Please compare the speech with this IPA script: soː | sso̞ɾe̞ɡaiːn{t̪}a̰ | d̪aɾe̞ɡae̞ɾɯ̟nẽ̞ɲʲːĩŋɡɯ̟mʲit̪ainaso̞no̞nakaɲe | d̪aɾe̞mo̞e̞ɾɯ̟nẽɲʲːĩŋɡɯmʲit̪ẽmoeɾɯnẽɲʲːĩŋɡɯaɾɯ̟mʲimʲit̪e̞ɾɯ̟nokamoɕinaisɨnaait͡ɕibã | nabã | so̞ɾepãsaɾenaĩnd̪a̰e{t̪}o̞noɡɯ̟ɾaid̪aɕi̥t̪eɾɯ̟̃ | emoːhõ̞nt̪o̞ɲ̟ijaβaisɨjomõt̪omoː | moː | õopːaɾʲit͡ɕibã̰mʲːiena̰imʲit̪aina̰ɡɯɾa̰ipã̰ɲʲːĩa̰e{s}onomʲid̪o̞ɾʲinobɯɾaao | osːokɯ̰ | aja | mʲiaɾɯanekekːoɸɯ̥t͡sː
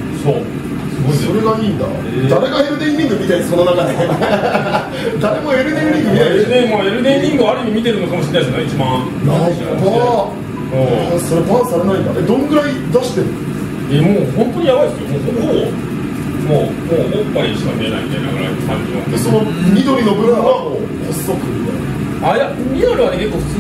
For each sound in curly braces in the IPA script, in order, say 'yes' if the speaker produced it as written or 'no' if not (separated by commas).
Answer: no, no, yes